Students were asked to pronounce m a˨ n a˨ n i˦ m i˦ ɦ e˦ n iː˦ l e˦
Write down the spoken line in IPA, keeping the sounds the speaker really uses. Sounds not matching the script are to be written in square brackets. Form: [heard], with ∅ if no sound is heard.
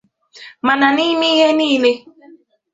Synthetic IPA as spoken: m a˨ n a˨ n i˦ m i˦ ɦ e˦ n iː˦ l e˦